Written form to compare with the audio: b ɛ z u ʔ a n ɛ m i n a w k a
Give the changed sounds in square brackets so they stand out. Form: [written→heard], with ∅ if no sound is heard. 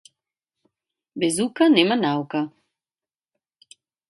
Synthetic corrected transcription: b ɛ z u [ʔ→k] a n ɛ m [i→a] n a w k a